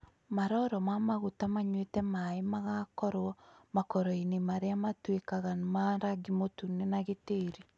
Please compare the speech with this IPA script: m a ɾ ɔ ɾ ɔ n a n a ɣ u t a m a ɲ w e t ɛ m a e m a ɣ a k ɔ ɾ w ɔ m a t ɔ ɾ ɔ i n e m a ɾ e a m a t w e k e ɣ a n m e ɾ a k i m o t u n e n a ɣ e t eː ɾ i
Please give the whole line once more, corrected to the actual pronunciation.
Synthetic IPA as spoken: m a ɾ ɔ ɾ ɔ m a m a ɣ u t a m a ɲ w e t ɛ m a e m a ɣ a k ɔ ɾ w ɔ m a k ɔ ɾ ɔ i n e m a ɾ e a m a t w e k a ɣ a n m a ɾ a ɡ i m o t u n e n a ɣ e t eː ɾ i